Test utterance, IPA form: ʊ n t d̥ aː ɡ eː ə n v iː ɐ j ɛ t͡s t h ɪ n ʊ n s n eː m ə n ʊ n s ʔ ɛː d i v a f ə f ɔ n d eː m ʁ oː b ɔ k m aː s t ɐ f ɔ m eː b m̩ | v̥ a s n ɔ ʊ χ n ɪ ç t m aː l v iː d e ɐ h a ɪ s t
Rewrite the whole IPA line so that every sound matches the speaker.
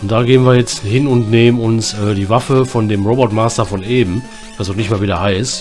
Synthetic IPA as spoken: ʊ n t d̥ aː ɡ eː ə n v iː ɐ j ɛ t͡s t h ɪ n ʊ n t n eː m ə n ʊ n s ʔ ɛː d iː v a f ə f ɔ n d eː m ʁ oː b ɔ t m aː s t ɐ f ɔ n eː b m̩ | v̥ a s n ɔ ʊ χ n ɪ ç t m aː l v iː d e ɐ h a ɪ s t